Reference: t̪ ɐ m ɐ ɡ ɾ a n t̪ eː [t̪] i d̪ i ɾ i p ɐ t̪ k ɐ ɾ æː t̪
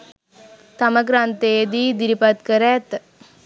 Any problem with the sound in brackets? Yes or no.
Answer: yes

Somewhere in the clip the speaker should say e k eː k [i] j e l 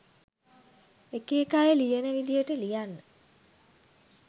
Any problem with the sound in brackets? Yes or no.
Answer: yes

